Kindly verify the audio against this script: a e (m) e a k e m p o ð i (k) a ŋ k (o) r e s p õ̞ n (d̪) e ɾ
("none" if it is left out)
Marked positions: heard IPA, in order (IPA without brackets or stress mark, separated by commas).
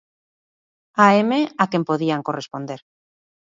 m, none, o, d̪